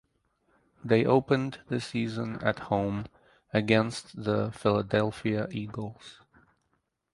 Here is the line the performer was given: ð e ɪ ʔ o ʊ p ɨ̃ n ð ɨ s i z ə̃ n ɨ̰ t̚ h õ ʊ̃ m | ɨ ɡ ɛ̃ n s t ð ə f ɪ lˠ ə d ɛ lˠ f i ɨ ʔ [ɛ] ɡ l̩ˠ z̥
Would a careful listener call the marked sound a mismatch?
yes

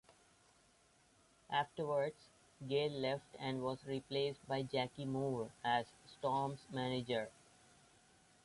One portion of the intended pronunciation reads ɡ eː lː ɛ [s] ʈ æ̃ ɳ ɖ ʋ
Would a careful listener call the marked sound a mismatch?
yes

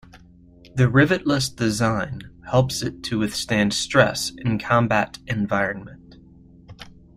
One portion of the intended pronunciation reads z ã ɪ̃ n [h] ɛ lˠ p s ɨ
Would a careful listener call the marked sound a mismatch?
no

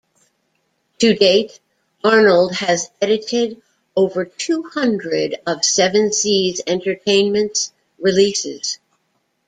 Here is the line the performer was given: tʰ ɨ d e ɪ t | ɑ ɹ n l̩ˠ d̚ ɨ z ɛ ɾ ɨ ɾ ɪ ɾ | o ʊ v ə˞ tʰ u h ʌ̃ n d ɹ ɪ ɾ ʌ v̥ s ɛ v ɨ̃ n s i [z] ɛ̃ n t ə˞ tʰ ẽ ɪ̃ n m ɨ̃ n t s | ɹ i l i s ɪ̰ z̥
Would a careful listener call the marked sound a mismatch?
no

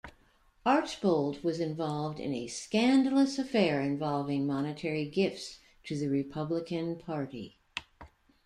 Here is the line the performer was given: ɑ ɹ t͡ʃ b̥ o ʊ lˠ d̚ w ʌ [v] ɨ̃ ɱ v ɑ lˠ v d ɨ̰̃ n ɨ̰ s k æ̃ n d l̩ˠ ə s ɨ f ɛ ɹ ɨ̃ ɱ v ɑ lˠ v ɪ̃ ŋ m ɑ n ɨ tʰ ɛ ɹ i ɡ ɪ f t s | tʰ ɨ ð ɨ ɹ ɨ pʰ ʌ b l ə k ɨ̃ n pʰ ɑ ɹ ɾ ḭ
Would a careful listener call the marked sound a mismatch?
yes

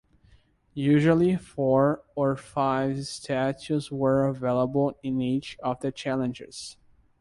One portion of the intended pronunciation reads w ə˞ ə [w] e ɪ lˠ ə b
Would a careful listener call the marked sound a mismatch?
yes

